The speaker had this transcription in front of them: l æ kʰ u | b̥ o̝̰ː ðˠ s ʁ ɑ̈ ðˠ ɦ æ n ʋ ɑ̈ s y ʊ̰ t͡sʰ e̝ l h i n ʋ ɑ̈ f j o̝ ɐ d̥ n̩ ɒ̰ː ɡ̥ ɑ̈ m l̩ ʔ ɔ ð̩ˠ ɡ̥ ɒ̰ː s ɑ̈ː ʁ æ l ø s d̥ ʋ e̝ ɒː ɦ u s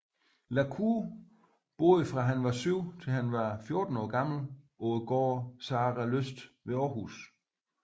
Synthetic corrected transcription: l æ kʰ u | b̥ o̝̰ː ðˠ f ʁ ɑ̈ ɦ æ n ʋ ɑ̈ s y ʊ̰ t͡sʰ e̝ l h æ n ʋ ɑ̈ f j o̝ ɐ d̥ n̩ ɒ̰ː ɡ̥ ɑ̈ m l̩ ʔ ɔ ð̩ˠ ɡ̥ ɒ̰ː s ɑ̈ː ʁ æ l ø s d̥ ʋ e̝ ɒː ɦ u s